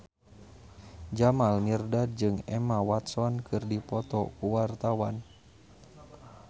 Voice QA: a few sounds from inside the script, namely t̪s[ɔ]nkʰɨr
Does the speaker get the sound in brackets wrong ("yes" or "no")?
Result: no